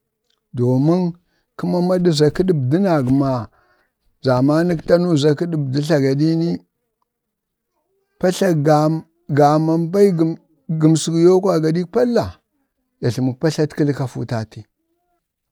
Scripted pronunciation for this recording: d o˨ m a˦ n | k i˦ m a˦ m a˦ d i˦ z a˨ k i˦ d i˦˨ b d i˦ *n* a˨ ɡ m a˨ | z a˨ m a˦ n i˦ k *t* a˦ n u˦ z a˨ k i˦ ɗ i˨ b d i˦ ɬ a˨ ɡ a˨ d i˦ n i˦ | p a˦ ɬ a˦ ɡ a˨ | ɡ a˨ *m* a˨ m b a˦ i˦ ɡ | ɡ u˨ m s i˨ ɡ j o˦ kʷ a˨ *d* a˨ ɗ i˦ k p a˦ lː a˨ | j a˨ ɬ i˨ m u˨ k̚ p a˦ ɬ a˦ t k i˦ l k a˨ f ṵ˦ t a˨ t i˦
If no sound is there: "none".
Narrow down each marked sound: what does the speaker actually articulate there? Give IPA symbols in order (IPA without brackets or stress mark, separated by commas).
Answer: n, t, m, ɡ